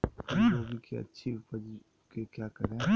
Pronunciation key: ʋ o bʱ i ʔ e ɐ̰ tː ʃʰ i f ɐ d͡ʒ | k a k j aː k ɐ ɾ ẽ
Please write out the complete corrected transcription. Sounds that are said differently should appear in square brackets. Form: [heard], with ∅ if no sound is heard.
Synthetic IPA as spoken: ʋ o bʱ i [k] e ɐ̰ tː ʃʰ i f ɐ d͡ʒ | k [e] k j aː k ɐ ɾ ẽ